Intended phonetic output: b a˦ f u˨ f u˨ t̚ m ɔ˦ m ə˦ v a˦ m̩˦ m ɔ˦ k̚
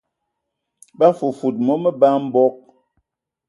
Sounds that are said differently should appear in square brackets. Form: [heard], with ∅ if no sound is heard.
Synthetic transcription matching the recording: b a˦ f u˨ f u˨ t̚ m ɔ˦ m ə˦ [b] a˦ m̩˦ [b] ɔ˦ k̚